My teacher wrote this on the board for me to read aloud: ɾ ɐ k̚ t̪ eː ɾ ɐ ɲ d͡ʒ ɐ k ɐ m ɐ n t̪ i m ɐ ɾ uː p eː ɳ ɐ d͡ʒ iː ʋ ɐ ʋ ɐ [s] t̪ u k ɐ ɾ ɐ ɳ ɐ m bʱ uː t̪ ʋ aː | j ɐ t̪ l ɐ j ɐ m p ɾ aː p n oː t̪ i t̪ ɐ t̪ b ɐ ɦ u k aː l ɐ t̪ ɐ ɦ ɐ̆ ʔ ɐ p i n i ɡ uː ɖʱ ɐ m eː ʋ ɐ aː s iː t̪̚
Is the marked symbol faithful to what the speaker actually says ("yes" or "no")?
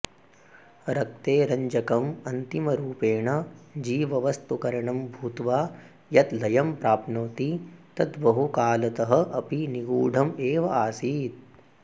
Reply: yes